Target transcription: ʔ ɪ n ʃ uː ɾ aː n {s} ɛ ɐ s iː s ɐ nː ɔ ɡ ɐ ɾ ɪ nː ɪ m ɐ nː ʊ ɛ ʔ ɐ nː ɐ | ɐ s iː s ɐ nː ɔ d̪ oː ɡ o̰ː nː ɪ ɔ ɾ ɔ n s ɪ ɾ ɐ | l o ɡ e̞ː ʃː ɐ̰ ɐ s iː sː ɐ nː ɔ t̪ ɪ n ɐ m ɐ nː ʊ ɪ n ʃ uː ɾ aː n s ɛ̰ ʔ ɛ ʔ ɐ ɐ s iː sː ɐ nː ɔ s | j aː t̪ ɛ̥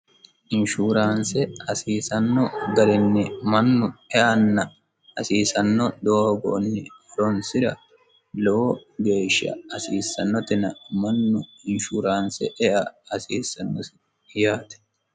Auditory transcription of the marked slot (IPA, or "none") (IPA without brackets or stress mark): s